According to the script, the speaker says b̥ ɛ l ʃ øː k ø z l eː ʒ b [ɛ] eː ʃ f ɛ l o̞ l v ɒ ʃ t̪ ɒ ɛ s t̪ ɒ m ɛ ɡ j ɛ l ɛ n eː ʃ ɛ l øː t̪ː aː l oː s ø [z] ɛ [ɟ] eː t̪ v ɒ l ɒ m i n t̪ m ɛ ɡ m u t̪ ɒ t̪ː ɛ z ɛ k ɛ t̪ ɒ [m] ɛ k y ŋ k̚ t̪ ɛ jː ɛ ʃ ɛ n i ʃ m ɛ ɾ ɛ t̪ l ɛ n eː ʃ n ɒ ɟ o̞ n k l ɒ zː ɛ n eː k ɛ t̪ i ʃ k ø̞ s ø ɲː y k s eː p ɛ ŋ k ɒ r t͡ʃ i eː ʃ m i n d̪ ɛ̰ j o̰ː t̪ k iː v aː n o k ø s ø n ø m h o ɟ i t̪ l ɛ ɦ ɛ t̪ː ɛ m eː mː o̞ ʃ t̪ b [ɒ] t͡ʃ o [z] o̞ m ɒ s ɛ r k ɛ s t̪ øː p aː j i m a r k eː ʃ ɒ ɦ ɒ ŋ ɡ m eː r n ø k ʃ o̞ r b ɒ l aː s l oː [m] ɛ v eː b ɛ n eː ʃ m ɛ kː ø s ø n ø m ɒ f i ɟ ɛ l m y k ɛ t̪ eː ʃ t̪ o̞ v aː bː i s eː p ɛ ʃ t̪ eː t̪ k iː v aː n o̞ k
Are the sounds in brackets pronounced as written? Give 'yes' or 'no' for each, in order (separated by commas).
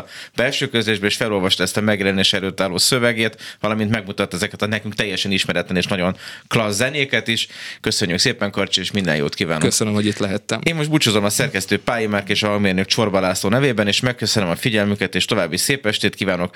yes, no, no, no, no, yes, no